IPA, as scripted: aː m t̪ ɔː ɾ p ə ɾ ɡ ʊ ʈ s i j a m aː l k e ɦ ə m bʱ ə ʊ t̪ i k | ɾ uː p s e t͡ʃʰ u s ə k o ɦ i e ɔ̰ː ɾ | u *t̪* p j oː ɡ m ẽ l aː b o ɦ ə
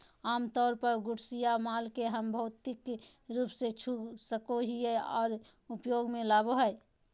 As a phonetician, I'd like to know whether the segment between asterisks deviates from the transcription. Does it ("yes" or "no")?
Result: yes